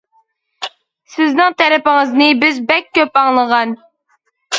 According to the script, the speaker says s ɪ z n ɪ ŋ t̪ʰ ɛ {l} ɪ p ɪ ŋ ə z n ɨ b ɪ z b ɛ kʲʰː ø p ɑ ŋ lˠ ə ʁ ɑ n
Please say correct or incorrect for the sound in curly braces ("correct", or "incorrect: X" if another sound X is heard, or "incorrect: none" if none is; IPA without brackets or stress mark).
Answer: incorrect: ɾ